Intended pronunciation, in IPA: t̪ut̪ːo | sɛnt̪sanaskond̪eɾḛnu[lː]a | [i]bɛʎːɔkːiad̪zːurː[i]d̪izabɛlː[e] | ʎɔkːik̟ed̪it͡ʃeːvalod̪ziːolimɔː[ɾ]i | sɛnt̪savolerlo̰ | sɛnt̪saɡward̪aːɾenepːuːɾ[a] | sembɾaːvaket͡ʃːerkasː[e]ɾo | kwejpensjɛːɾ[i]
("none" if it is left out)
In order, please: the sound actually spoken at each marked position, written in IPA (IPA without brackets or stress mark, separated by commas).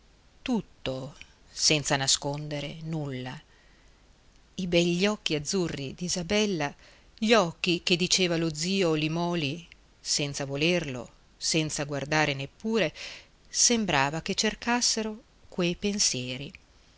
lː, i, i, a, l, e, e, i